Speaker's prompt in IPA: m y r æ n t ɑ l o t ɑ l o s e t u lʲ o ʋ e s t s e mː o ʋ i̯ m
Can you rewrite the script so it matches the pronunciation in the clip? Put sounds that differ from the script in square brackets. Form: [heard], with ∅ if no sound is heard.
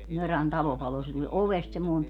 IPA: m [ø] r æ n t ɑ l o [p] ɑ l o s e t u lʲ o ʋ e s t s e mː o [∅] i̯ m